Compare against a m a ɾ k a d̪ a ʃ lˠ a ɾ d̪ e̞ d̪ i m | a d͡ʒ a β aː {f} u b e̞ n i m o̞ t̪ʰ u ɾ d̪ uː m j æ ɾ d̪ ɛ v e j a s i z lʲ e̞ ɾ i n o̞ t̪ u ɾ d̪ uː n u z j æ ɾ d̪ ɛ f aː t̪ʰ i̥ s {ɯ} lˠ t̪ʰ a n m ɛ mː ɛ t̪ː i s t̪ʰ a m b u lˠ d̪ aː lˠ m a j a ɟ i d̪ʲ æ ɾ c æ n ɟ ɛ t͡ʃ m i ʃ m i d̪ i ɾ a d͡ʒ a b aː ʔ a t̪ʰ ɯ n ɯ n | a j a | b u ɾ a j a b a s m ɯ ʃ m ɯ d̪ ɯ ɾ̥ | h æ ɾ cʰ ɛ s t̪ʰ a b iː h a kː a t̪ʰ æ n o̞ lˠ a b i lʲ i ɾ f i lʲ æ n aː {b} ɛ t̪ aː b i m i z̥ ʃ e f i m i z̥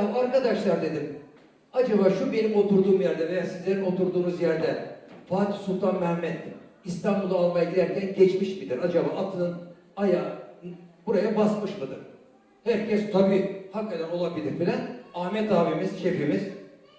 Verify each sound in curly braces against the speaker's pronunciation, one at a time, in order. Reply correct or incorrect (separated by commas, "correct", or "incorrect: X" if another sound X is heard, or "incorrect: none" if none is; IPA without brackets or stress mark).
incorrect: ʃ, incorrect: u, incorrect: m